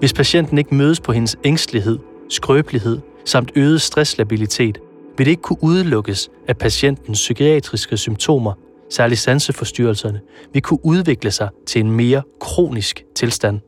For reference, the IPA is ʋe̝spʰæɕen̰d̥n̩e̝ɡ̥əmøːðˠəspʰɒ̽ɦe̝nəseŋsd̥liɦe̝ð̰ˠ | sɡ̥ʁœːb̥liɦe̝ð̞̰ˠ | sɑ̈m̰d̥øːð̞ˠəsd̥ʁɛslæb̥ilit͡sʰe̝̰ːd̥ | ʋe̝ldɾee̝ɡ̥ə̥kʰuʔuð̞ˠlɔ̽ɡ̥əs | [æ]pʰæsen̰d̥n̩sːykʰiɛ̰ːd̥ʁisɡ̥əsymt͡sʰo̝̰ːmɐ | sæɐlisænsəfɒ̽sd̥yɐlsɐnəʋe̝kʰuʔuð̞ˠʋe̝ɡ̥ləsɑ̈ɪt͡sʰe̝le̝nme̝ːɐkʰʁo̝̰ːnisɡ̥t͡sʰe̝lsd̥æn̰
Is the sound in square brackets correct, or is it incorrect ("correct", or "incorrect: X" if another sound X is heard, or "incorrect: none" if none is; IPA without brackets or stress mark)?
correct